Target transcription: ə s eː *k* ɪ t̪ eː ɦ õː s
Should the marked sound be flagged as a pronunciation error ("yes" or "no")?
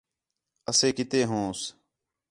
no